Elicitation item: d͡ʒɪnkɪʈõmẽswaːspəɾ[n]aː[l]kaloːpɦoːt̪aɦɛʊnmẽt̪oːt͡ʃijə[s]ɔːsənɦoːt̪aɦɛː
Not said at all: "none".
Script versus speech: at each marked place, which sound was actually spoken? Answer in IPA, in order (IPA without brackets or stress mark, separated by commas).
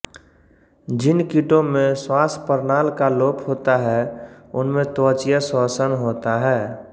n, l, s